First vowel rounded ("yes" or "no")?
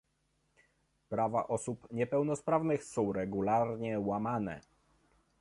no